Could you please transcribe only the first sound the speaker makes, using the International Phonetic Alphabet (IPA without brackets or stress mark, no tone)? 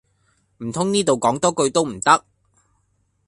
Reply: m̩